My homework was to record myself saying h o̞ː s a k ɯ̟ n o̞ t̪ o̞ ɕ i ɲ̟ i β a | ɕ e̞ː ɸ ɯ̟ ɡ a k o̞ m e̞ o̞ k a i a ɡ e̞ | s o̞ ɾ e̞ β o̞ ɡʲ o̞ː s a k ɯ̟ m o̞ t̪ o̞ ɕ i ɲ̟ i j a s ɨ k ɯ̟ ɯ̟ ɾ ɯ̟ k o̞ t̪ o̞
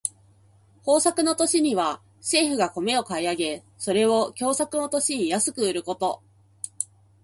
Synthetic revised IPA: h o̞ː s a k ɯ̟ n o̞ t̪ o̞ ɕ i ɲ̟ i β a | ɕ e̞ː ɸ ɯ̟ ɡ a k o̞ m e̞ o̞ k a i a ɡ e̞ | s o̞ ɾ e̞ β o̞ kʲ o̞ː s a k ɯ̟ n o̞ t̪ o̞ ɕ i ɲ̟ i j a s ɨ k ɯ̟ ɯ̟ ɾ ɯ̟ k o̞ t̪ o̞